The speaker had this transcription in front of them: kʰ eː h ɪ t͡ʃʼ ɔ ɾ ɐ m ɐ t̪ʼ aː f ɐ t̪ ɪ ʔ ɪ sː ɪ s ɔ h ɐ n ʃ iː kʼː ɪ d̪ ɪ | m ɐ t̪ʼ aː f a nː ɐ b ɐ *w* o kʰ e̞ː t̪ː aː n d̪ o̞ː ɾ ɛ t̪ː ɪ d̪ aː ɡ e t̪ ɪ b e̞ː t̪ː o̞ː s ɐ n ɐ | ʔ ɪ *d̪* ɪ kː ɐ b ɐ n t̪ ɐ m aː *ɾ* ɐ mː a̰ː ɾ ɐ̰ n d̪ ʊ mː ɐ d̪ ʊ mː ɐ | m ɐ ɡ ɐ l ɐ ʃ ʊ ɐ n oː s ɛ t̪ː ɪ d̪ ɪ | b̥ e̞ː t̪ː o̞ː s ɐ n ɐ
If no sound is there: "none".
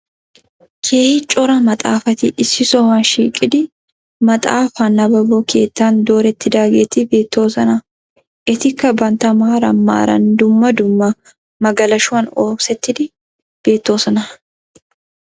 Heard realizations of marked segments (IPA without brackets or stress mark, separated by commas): b, t̪, ɾ